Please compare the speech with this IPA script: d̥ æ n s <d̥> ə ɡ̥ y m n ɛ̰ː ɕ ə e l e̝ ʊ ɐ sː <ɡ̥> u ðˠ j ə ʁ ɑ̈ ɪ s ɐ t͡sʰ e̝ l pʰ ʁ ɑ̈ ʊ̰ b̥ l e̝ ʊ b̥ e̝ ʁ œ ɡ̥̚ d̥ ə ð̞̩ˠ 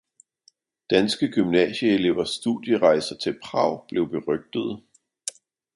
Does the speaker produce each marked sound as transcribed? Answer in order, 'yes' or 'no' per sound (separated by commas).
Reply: no, no